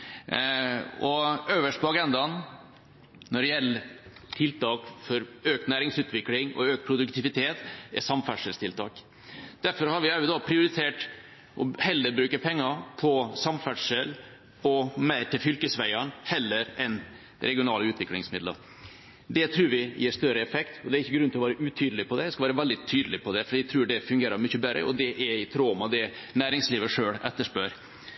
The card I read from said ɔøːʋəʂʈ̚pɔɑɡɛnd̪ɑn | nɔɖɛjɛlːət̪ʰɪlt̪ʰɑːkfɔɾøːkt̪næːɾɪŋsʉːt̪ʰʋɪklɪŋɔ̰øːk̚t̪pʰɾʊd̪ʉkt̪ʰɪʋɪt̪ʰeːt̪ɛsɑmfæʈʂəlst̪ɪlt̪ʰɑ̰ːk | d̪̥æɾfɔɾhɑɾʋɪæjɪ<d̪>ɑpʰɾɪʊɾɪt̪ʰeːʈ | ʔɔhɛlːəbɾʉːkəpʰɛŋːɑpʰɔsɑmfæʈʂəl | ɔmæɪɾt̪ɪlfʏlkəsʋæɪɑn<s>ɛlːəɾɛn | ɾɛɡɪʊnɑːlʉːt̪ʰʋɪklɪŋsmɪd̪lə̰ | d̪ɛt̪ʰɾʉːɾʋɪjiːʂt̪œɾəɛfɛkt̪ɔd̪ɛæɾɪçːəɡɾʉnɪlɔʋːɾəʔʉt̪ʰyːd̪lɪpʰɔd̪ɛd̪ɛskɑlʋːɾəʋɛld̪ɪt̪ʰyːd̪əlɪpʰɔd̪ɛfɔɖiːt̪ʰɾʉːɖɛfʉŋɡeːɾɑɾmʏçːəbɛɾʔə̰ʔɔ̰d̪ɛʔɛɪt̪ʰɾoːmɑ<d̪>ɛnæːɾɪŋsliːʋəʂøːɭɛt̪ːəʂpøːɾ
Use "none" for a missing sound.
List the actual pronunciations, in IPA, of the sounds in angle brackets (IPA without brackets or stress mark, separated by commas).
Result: d̪, h, d̪